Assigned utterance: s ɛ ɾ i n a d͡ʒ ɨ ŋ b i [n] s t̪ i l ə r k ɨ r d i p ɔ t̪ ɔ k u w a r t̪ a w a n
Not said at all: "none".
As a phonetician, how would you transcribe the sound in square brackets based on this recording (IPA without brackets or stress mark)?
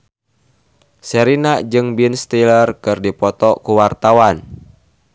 n